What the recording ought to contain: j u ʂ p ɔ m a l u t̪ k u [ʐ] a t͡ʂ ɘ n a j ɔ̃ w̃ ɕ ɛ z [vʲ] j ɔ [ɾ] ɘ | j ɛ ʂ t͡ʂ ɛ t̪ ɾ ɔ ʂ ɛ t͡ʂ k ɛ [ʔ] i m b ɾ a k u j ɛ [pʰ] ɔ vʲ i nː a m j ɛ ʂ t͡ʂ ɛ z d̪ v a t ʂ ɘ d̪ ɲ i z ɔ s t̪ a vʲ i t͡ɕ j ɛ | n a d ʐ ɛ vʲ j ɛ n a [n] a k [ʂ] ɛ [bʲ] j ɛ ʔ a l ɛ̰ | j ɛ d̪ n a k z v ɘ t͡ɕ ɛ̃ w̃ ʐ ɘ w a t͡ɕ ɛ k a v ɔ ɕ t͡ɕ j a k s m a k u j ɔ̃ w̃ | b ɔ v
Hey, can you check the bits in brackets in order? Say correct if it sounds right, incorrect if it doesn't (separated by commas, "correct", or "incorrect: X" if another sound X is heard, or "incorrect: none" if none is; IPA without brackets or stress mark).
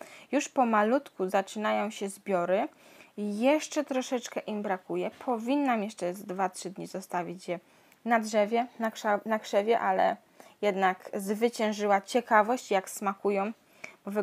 incorrect: z, incorrect: bʲ, correct, correct, correct, correct, correct, incorrect: vʲ